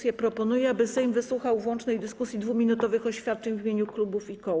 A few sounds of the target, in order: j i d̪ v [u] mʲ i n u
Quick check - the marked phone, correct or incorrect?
correct